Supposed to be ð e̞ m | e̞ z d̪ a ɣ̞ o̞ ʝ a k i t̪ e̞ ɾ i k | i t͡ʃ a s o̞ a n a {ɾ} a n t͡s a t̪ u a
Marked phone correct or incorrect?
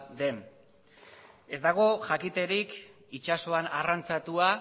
incorrect